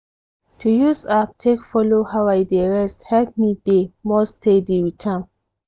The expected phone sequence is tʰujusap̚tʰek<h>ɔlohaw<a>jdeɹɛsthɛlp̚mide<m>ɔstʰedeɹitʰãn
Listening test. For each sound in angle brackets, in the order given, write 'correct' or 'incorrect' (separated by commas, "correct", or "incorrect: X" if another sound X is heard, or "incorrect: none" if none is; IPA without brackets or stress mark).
incorrect: f, correct, correct